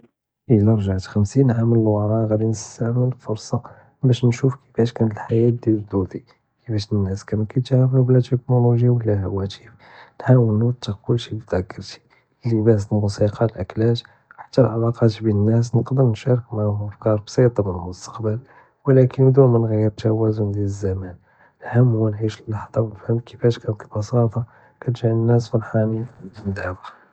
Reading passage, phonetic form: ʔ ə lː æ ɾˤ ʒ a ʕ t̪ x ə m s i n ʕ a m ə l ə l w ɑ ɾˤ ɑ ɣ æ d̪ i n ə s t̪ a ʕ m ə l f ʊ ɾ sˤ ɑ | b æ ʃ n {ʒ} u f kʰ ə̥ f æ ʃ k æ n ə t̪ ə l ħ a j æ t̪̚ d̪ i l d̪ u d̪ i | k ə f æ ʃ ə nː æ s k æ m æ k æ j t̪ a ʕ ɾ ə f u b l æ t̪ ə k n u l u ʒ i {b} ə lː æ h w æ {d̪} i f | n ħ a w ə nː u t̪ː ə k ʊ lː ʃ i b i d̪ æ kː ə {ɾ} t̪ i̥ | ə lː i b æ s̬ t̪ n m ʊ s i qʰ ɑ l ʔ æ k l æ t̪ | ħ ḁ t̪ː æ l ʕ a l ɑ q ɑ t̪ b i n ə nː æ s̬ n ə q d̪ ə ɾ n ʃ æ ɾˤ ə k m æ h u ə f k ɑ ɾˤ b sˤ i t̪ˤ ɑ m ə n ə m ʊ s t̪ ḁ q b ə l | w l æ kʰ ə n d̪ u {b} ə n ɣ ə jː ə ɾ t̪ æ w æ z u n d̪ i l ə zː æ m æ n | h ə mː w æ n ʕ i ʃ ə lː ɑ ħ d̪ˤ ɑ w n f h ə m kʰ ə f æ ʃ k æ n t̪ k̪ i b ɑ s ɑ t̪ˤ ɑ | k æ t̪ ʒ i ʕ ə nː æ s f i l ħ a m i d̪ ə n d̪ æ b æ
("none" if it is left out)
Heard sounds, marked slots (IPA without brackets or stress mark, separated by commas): ʃ, w, t̪, ɾ, m